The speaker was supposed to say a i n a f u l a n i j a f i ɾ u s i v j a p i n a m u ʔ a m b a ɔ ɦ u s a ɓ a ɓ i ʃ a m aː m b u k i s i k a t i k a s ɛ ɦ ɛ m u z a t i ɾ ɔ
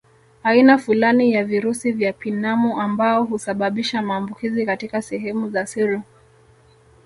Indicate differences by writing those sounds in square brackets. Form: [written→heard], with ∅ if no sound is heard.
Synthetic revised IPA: a i n a f u l a n i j a [f→v] i ɾ u s i v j a p i n a m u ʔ a m b a ɔ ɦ u s a ɓ a ɓ i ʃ a m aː m b u k i [s→z] i k a t i k a s ɛ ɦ ɛ m u z a [t→s] i ɾ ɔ